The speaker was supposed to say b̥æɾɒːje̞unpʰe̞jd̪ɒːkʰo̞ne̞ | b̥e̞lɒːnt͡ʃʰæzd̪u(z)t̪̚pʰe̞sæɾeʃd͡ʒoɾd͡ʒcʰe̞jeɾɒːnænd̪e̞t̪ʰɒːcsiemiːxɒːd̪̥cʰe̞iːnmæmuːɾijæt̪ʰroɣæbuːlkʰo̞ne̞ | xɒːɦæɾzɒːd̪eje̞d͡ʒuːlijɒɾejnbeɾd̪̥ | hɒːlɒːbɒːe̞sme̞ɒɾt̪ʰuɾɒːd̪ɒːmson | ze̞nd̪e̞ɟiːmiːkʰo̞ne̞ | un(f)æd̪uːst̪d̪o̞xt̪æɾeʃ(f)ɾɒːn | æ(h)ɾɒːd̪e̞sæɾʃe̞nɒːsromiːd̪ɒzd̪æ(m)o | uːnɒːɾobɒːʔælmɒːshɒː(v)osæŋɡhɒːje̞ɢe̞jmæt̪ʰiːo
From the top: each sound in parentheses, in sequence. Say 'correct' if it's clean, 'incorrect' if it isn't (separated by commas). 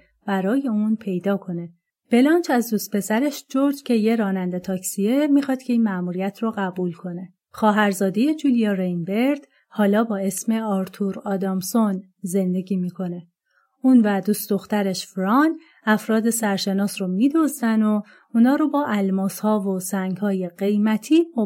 incorrect, incorrect, correct, incorrect, incorrect, correct